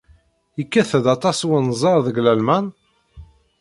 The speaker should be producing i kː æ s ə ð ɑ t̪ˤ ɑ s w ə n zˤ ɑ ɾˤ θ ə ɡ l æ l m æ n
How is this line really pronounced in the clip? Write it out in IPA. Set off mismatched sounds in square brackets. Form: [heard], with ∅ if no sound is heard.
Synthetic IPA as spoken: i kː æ [θ] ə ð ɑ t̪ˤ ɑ s w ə n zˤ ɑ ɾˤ [ð] ə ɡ l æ l m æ n